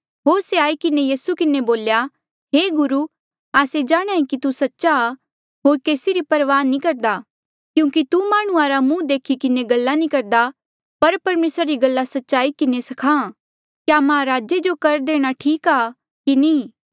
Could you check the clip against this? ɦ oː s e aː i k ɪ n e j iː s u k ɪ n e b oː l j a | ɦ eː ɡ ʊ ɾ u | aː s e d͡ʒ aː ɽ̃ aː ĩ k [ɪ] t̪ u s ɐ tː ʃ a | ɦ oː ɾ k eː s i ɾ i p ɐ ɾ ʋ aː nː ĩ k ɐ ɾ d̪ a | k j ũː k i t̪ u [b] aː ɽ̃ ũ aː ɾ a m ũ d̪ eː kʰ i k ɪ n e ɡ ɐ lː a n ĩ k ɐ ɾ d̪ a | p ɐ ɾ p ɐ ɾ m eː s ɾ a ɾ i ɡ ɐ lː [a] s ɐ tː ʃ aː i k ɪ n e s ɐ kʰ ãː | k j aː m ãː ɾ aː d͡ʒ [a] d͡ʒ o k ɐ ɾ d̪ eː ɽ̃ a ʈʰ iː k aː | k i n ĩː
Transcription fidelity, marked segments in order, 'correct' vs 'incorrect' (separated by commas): incorrect, incorrect, correct, incorrect